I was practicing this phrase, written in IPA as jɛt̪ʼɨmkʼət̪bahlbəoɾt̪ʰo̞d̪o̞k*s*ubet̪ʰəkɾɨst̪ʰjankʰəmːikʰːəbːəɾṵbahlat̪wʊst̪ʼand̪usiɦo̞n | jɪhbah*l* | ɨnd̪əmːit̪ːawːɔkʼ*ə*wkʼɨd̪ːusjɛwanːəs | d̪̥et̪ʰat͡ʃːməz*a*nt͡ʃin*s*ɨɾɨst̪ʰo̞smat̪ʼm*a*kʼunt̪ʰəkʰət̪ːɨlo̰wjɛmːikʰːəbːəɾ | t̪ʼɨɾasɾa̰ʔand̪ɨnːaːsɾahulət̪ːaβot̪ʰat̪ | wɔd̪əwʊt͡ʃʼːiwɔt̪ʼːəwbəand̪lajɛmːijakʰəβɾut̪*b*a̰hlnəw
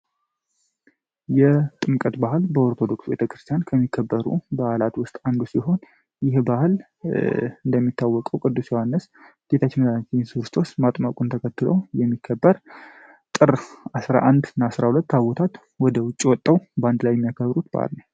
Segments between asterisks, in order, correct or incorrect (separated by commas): correct, correct, correct, correct, correct, correct, correct